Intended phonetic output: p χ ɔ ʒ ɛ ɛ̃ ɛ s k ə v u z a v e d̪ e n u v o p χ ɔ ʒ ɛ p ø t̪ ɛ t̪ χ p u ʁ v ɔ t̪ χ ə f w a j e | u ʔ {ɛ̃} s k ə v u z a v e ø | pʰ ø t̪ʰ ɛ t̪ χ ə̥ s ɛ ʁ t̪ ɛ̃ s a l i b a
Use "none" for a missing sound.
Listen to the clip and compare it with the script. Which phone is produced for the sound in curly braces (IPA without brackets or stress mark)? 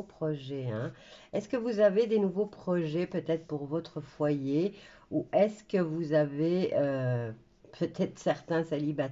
ɛ